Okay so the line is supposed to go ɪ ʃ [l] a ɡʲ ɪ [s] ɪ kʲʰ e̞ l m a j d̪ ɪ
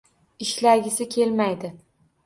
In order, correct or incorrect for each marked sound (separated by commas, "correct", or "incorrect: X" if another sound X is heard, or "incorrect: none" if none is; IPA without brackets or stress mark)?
correct, correct